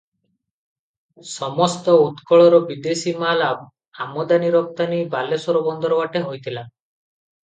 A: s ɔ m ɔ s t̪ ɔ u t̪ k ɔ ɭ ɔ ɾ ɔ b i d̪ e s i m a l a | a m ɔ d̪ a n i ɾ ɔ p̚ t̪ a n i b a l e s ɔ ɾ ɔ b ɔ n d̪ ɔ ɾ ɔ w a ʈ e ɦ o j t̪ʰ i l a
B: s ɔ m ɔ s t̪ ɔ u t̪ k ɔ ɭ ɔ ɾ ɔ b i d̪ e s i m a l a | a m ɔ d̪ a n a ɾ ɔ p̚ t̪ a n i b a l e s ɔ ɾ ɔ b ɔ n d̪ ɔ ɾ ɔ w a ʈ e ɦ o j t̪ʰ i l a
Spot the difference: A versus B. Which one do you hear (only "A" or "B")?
A